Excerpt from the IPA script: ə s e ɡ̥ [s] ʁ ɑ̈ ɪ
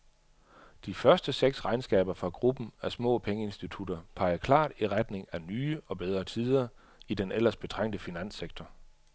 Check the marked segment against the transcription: correct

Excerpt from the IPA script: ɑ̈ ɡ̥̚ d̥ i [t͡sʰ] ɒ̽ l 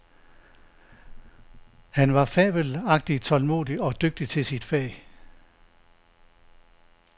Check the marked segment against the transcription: correct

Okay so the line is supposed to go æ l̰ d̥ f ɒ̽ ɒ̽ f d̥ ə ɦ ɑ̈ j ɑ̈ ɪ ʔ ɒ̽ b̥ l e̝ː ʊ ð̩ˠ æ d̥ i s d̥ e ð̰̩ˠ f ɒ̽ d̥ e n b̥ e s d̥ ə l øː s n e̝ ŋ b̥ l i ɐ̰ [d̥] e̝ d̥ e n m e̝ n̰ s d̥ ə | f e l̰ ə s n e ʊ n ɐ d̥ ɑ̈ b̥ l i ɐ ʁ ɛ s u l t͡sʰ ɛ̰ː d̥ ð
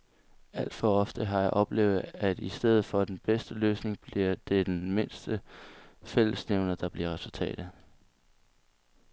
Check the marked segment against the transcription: correct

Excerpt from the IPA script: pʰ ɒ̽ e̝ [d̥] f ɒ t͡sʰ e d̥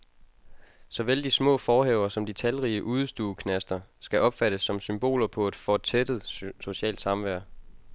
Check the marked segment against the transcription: correct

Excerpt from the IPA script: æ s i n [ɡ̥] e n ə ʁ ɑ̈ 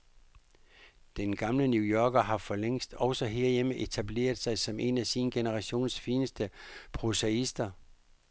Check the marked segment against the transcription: correct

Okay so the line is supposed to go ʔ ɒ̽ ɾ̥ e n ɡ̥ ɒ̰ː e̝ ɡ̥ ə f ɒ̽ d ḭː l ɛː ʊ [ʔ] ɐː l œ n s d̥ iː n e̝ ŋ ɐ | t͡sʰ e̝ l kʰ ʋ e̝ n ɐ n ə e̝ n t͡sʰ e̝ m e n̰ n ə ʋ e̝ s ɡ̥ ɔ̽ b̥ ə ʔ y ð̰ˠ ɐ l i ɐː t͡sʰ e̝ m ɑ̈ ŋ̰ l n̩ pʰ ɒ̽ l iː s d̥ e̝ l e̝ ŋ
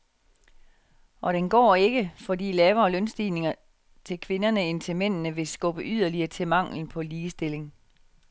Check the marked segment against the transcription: incorrect: none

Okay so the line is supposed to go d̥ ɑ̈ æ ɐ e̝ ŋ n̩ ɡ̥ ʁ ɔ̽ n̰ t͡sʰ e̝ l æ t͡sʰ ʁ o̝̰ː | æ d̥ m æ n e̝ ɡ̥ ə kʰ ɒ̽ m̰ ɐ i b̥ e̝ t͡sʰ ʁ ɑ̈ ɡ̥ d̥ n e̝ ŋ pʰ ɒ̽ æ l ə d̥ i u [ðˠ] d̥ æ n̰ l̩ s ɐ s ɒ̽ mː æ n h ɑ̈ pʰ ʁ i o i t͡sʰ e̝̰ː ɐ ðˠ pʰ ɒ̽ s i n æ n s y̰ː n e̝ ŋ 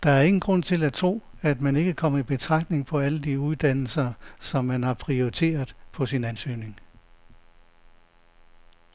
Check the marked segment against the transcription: correct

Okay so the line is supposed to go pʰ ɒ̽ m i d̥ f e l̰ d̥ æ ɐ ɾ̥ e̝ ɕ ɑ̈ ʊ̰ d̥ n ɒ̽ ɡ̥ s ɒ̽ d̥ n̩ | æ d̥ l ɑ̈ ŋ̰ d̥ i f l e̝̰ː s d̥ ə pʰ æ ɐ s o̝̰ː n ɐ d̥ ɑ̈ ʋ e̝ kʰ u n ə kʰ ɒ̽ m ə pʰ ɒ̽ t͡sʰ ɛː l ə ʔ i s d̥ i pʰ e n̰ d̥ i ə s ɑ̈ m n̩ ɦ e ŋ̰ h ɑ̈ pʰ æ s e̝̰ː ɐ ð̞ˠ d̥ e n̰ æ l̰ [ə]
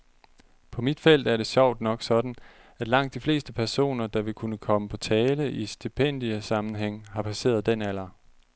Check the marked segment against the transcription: incorrect: ɐ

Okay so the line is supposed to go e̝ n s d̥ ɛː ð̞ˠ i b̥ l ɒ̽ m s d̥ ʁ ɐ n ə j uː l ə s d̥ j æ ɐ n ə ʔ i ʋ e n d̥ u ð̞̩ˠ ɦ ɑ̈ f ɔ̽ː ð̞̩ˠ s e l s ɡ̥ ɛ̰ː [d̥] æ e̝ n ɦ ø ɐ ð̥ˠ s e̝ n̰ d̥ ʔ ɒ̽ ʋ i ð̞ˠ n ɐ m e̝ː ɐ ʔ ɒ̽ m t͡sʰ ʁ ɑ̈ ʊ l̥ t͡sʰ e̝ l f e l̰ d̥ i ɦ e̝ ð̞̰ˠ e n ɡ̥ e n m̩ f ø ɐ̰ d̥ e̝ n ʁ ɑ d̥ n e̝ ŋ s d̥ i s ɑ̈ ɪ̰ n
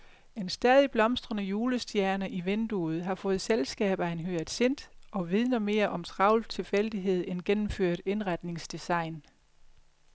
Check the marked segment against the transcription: incorrect: b̥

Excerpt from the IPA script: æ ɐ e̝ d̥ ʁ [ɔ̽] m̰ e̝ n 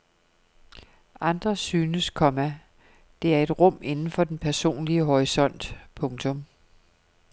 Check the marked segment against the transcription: correct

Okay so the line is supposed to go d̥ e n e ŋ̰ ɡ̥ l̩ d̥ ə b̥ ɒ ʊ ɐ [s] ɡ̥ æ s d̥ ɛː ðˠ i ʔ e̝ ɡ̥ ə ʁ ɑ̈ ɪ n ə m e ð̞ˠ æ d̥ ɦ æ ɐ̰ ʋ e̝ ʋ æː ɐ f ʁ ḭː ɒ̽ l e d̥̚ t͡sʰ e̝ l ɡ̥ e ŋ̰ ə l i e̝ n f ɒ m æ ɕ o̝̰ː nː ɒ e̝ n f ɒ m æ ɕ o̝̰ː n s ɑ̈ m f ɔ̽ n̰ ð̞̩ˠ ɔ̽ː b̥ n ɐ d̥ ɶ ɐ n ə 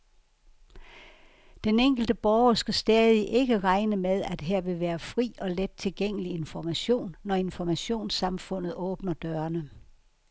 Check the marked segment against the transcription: correct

